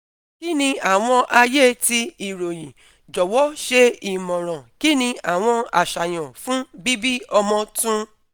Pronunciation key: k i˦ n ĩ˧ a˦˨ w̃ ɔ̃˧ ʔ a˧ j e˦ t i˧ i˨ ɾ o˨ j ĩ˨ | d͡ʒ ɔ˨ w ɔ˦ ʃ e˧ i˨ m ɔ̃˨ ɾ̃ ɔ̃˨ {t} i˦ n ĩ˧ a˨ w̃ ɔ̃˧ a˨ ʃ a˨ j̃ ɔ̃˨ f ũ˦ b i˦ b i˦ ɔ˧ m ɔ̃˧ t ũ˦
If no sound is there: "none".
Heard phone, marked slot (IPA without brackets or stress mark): k